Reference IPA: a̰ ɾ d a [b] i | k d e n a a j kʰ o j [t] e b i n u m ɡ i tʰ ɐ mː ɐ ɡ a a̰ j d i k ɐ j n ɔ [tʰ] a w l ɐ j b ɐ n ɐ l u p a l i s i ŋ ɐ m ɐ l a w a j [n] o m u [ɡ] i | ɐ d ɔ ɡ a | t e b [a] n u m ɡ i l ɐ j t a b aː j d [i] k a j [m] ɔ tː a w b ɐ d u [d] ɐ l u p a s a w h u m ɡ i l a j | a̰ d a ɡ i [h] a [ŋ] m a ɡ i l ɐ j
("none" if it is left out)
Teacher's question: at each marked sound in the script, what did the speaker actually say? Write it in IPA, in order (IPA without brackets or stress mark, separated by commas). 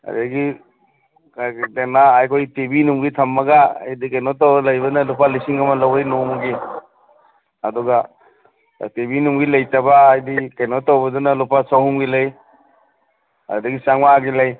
ɡ, t, t, n, ɡ, i, i, n, n, s, ŋ